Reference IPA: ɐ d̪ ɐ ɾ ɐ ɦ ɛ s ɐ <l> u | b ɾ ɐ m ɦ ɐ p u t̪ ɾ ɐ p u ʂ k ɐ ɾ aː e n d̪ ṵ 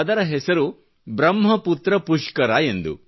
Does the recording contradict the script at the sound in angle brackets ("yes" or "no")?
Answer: yes